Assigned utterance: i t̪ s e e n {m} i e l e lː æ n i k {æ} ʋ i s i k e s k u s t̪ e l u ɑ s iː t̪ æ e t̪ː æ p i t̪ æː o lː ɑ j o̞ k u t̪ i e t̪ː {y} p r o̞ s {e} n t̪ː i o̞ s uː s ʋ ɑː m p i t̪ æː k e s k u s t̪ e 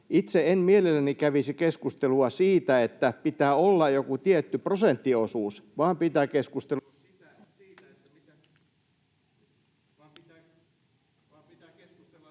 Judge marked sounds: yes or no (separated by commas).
yes, yes, yes, yes